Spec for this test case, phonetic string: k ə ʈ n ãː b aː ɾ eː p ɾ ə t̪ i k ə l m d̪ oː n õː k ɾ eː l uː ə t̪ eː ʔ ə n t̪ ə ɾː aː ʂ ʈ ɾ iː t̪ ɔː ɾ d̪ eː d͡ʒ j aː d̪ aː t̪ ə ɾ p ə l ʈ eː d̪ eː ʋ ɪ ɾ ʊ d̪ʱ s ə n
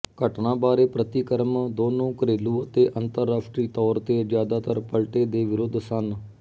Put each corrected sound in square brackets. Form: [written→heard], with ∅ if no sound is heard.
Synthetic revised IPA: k ə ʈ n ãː b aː ɾ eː p ɾ ə t̪ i k ə [l→ɾ] m d̪ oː n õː k ɾ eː l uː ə t̪ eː ʔ ə n t̪ ə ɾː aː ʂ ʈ ɾ iː t̪ ɔː ɾ [d̪→t̪] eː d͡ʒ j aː d̪ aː t̪ ə ɾ p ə l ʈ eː d̪ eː ʋ ɪ ɾ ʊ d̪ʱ s ə n